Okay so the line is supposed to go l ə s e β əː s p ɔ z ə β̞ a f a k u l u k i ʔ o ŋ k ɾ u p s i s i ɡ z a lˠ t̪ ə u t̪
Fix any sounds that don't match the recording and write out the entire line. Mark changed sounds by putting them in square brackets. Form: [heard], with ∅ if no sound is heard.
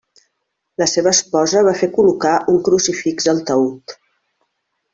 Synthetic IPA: l ə s e β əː s p ɔ z ə β̞ a f [e] k u l u k [a] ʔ [u] ŋ k ɾ u [∅] s i [f] i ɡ z [ə] lˠ t̪ ə u t̪